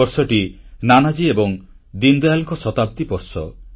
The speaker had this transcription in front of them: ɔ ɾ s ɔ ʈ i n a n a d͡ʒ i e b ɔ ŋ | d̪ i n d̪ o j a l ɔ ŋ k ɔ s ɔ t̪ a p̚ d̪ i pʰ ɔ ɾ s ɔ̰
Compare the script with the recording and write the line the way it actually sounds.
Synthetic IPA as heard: ɔ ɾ s ɔ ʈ i n a n a d͡ʒ i e b ɔ ŋ | d̪ i n d̪ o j a l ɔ ŋ k ɔ s ɔ t̪ a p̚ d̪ i p ɔ ɾ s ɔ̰